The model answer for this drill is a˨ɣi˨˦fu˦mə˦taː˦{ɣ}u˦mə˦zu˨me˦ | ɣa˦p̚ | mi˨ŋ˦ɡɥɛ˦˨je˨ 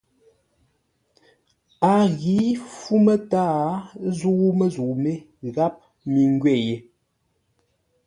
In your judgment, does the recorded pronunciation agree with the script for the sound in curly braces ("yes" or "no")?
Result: no